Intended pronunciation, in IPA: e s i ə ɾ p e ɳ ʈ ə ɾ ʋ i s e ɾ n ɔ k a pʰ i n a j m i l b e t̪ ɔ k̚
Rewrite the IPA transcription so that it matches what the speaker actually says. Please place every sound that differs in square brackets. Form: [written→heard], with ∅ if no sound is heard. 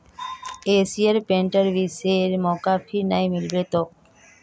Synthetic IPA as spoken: e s i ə ɾ p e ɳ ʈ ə ɾ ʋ i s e ɾ [n→m] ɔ k a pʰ i n a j m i l b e t̪ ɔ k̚

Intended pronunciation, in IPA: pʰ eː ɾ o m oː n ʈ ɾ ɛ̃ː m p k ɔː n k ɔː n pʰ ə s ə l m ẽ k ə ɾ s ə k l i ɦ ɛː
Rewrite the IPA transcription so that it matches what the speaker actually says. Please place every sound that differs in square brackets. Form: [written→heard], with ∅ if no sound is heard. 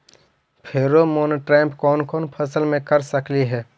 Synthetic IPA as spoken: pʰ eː ɾ o m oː n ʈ ɾ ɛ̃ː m p k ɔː n k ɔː n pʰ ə s ə l m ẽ k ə ɾ s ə k l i ɦ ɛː

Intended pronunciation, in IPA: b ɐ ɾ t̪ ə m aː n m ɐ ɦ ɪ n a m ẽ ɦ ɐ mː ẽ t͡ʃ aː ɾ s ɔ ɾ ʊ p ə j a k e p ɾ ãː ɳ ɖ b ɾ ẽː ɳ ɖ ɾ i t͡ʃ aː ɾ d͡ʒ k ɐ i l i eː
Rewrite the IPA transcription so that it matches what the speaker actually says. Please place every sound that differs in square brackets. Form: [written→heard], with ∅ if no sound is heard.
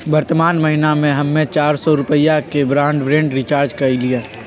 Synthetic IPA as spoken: b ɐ ɾ t̪ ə m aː n m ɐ ɦ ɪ n a m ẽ ɦ ɐ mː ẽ t͡ʃ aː ɾ s ɔ ɾ ʊ p ə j a k e [p→b] ɾ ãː ɳ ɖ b ɾ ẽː ɳ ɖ ɾ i t͡ʃ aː ɾ d͡ʒ k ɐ i l i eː

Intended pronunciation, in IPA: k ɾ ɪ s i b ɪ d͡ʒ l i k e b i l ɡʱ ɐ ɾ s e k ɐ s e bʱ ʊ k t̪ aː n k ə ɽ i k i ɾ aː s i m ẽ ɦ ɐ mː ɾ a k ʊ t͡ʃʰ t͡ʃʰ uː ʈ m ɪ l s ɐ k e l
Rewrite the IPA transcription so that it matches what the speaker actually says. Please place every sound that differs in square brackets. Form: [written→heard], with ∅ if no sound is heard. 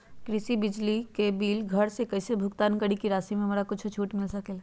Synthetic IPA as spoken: k ɾ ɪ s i b ɪ d͡ʒ l i k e b [i→iː] l ɡʱ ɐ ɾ s e k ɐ s e bʱ ʊ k t̪ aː n k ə ɽ i k i ɾ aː s i m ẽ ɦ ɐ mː ɾ a k ʊ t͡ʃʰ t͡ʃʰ uː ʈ m ɪ l s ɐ k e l

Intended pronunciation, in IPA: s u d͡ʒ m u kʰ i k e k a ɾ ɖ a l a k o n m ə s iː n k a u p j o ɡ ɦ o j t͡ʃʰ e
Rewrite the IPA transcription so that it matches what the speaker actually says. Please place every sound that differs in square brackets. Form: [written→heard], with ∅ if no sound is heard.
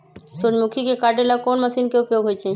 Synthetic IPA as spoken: s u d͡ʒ m u kʰ i k e k a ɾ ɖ [a→e] l a k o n m ə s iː n k [a→e] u p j o ɡ ɦ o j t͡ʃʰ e

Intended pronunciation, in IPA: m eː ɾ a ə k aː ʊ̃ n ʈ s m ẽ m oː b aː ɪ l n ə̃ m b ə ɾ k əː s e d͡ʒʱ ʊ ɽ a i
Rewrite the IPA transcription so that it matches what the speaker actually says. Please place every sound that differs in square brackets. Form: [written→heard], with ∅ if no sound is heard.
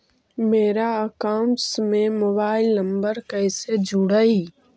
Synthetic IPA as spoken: m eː ɾ a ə k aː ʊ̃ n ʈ s m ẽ m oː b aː ɪ l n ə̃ m b ə ɾ k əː s e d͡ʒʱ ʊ ɽ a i

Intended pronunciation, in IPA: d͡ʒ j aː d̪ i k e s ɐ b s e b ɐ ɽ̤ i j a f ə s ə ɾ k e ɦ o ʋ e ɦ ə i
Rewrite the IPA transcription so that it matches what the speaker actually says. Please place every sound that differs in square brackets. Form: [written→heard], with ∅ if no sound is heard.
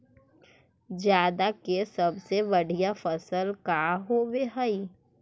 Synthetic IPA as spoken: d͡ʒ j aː d̪ [i→a] k e s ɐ b s e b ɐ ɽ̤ i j a f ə s ə [ɾ→l] k [e→a] ɦ o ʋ e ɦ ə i

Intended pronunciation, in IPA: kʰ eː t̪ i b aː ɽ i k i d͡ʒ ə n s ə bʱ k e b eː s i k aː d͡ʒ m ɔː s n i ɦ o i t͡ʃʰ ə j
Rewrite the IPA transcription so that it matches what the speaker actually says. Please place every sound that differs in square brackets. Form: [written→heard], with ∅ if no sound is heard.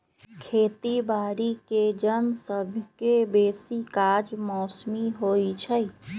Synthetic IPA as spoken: kʰ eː t̪ i b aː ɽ i k [i→e] d͡ʒ ə n s ə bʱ k e b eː s i k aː d͡ʒ m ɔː s [n→m] i ɦ o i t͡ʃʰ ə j

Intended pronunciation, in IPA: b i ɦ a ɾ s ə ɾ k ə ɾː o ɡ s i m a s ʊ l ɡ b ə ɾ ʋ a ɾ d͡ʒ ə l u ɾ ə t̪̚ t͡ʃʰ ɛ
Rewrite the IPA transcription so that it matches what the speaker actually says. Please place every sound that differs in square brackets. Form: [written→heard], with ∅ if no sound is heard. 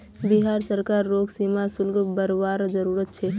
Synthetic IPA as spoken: b i ɦ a ɾ s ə ɾ k [ə→a] ɾː o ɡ s i m a s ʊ l ɡ b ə ɾ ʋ a ɾ d͡ʒ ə [l→ɾ] u ɾ ə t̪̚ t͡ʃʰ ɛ

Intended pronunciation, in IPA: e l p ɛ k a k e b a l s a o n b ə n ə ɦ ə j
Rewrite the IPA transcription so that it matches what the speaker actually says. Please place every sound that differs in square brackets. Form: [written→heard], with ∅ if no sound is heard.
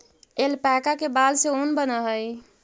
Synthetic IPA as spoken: e l p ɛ k a k e b a l s [a→e] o n b ə n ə ɦ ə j

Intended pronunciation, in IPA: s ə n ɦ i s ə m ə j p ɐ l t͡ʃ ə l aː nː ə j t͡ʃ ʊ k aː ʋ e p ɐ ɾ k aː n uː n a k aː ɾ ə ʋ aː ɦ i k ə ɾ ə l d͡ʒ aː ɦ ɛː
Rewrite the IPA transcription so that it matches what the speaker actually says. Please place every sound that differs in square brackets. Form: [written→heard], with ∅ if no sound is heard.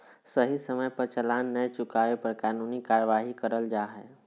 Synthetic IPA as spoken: s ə [n→∅] ɦ i s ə m ə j p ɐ [l→ɾ] t͡ʃ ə l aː nː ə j t͡ʃ ʊ k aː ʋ e p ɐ ɾ k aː n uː n [a→i] k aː ɾ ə ʋ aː ɦ i k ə ɾ ə l d͡ʒ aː ɦ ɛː

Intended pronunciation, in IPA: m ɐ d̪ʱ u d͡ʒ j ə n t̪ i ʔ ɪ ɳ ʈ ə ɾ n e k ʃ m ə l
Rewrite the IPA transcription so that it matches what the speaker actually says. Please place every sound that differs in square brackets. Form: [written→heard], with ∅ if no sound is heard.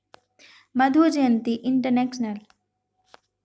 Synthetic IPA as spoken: m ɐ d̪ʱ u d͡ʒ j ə n t̪ i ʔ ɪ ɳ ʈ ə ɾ n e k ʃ [m→n] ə l

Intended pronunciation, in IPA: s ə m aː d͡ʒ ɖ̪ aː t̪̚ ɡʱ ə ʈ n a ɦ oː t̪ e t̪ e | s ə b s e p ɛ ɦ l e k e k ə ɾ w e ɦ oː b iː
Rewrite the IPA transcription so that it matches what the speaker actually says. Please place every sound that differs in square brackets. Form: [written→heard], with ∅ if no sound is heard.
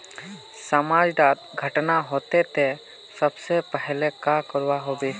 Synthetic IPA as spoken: s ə m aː d͡ʒ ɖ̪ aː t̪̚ ɡʱ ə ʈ n a ɦ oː t̪ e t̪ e | s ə b s e p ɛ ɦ l e k [e→a] k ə ɾ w [e→a] ɦ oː b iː

